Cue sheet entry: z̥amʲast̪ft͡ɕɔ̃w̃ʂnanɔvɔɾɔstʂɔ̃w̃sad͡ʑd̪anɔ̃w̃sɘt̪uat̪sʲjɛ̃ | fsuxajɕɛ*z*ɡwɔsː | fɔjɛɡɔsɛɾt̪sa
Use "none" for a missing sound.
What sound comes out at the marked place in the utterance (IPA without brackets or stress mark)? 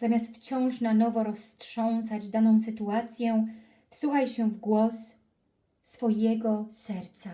v